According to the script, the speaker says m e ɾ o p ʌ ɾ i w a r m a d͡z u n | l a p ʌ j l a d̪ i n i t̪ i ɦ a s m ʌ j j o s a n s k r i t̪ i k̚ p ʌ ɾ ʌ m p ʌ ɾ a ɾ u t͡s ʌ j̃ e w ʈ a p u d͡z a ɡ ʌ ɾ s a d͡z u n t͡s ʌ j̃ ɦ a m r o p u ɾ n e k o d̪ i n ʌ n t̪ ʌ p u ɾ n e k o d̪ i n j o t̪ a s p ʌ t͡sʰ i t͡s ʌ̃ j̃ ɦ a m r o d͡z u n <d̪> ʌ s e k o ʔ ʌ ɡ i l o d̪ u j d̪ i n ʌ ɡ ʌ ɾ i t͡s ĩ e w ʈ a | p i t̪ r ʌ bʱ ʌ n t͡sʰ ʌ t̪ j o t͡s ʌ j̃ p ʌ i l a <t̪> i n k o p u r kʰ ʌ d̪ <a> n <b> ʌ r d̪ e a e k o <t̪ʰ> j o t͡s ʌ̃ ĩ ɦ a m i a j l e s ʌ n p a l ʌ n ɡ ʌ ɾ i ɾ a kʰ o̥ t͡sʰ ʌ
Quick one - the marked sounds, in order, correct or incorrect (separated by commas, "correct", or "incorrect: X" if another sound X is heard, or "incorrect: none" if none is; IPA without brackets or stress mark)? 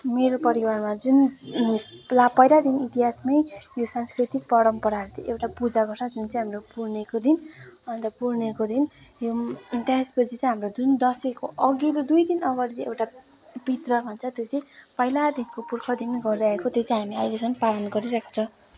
correct, incorrect: d̪, incorrect: i, incorrect: ɡ, incorrect: t̪